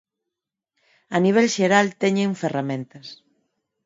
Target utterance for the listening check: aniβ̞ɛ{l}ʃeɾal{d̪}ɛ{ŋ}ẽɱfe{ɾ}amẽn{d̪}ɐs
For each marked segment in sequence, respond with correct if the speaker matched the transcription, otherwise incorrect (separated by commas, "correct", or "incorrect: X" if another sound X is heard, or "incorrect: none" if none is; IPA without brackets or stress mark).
correct, incorrect: t̪, incorrect: ɲ, incorrect: r, incorrect: t̪